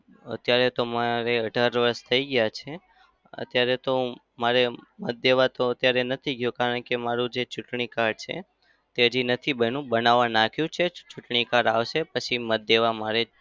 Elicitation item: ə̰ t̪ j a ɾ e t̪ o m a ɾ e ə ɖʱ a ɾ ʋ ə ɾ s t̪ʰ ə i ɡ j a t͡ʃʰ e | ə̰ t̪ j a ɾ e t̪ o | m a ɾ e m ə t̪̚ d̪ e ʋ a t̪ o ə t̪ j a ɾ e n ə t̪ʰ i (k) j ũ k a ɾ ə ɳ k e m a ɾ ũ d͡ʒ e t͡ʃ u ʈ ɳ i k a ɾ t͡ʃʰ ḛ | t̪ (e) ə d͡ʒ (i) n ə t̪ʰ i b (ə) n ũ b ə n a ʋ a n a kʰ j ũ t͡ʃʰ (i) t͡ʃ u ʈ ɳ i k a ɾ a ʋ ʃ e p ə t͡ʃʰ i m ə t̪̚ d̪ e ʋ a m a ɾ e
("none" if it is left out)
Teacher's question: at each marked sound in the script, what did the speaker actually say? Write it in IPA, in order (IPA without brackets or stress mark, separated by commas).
ɡ, e, i, ə, e